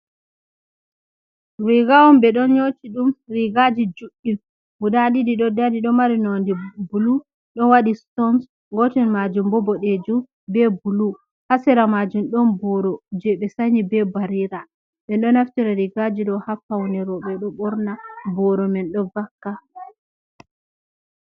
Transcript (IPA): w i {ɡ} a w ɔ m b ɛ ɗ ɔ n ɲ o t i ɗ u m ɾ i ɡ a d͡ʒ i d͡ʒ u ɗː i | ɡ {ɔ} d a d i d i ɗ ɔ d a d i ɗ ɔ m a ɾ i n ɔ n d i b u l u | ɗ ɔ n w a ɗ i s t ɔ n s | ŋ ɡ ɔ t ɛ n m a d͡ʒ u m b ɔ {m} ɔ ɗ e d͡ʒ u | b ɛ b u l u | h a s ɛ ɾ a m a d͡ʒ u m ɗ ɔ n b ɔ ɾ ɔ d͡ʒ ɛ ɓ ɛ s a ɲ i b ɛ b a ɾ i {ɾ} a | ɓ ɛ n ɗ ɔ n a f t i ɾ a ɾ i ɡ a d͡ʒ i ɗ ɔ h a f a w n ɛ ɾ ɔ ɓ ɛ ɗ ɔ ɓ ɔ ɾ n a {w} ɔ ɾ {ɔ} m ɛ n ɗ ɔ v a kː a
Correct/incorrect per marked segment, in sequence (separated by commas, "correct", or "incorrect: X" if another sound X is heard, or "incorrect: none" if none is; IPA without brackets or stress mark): correct, incorrect: u, incorrect: b, correct, incorrect: b, correct